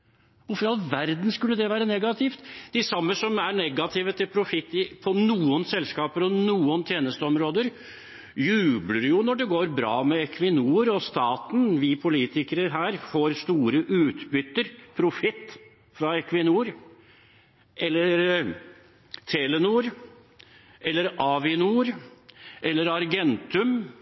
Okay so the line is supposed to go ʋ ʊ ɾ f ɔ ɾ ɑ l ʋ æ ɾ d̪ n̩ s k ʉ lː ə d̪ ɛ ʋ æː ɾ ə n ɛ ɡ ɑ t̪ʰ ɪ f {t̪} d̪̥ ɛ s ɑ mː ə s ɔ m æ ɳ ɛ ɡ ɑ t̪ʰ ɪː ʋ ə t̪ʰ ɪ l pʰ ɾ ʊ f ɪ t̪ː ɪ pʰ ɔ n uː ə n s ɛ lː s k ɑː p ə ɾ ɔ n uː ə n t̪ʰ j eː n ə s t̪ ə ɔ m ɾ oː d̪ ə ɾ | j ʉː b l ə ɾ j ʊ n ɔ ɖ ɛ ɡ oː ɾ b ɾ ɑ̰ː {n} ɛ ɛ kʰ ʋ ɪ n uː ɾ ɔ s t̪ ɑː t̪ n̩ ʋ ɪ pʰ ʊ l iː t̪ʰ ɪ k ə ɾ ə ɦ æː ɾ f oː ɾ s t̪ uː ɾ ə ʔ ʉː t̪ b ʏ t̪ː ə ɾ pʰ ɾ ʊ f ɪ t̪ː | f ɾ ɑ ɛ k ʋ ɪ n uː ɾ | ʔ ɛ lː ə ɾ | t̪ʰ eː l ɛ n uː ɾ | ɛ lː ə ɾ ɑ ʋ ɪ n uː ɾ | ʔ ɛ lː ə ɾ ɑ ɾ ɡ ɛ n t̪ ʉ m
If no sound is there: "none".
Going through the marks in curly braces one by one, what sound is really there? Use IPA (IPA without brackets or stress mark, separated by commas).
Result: t̪, m